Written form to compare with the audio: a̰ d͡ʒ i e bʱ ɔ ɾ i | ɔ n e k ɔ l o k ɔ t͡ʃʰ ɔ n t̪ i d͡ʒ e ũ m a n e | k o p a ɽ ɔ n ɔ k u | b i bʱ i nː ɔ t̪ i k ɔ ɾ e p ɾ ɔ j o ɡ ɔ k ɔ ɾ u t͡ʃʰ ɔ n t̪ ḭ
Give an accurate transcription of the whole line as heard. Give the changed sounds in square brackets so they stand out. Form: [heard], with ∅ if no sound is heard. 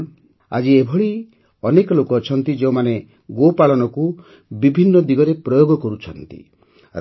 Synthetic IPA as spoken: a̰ d͡ʒ i e bʱ ɔ [ɭ] i | ɔ n e k ɔ l o k ɔ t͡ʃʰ ɔ n t̪ i d͡ʒ e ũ m a n e | [ɡ] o p a [ɭ] ɔ n ɔ k u | b i bʱ i nː ɔ [d̪] i [ɡ] ɔ ɾ e p ɾ ɔ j o ɡ ɔ k ɔ ɾ u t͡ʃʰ ɔ n t̪ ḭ